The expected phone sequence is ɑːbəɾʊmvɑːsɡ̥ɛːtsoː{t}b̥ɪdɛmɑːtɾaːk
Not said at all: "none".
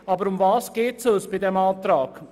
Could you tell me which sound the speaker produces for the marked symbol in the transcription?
s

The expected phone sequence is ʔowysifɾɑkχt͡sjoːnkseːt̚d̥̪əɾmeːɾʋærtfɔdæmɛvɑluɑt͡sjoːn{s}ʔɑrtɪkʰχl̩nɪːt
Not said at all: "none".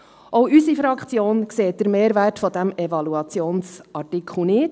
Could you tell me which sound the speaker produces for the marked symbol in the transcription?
s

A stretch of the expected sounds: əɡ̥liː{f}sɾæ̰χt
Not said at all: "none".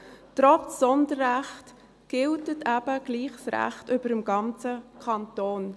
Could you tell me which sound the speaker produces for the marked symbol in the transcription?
χ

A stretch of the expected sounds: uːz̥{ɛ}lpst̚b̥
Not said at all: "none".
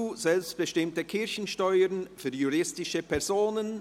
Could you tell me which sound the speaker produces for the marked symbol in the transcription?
ɛ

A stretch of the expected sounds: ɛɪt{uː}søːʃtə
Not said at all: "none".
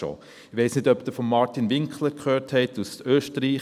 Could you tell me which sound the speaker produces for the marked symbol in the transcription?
u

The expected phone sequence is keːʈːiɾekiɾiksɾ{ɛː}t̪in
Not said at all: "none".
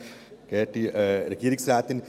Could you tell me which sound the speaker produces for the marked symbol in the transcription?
aː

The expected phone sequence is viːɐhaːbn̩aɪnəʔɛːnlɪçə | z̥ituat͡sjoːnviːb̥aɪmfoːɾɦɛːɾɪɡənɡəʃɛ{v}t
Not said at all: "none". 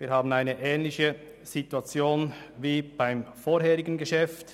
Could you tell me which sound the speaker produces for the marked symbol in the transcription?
f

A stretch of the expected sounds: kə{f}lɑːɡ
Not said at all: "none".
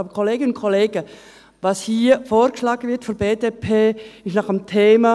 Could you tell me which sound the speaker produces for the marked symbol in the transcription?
ʃ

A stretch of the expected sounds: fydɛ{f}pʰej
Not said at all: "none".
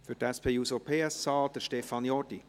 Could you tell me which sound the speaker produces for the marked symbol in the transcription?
s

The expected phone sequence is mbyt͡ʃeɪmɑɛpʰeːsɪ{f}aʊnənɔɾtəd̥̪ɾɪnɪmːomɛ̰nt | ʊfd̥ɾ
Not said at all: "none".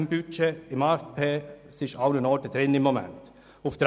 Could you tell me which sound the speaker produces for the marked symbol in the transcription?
ʃ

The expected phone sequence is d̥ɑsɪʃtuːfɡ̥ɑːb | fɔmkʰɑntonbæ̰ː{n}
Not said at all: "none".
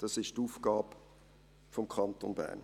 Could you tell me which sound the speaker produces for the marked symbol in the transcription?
n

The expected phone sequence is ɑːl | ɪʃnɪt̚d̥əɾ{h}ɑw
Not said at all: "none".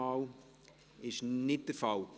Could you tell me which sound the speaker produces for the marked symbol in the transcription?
f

